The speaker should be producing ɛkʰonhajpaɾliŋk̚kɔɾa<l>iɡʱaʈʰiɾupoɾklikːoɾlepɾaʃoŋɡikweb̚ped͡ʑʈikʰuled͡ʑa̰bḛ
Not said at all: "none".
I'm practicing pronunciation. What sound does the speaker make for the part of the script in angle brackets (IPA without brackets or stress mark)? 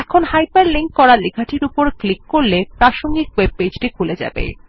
l